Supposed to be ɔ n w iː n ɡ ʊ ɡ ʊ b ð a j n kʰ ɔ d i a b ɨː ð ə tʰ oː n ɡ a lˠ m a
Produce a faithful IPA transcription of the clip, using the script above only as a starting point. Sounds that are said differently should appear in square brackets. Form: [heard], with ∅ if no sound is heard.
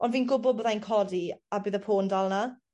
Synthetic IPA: ɔ n [v] iː n ɡ ʊ [b] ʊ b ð a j n kʰ ɔ d i a b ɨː ð ə [pʰ] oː n [d] a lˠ [n] a